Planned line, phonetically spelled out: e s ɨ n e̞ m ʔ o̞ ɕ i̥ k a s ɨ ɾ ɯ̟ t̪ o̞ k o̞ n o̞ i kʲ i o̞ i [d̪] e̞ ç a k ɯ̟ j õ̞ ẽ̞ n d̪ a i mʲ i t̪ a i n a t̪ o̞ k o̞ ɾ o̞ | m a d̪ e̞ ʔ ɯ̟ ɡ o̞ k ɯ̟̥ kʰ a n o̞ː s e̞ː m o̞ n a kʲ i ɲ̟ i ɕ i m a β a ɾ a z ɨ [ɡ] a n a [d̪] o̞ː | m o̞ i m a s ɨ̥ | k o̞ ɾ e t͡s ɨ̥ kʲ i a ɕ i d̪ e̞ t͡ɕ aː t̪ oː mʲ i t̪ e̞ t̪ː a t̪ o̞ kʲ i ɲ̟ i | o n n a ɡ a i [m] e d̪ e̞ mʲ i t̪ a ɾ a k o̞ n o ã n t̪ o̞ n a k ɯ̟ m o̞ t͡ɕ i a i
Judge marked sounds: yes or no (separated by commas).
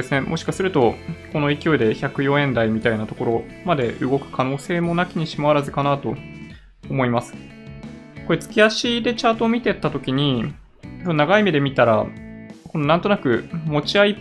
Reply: yes, no, no, yes